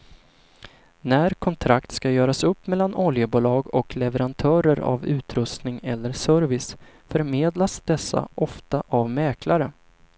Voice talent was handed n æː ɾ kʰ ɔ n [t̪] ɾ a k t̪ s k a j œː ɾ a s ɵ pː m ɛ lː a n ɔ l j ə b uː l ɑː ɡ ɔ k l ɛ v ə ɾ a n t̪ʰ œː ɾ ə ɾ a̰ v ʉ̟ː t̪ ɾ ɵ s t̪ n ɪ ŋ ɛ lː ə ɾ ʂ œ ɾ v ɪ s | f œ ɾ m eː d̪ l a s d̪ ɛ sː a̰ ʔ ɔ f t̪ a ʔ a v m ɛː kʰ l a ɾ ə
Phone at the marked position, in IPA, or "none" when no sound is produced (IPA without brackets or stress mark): t̪ʰ